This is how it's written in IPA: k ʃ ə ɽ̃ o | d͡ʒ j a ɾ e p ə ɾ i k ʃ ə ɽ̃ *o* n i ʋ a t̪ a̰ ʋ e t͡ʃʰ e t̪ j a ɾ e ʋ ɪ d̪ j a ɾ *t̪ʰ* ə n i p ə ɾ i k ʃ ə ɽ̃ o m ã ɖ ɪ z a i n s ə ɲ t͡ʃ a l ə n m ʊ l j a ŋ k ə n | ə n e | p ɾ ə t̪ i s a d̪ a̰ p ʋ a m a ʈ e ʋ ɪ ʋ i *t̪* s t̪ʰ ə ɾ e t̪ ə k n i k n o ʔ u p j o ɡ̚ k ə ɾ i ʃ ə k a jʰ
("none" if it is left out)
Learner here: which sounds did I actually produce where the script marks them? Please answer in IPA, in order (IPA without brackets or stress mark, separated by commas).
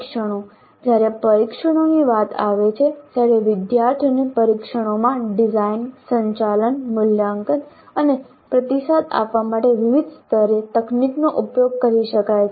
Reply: o, t̪ʰ, d̪